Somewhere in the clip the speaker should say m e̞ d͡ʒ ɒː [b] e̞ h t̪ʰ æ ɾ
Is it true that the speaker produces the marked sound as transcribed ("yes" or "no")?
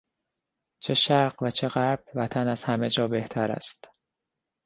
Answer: yes